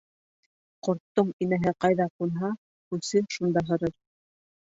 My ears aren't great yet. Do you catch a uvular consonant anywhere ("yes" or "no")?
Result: yes